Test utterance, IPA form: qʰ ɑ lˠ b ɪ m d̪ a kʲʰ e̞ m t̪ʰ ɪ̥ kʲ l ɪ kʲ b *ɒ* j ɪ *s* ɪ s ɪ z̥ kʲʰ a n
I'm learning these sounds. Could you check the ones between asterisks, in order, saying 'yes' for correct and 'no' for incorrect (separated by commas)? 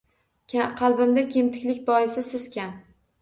yes, yes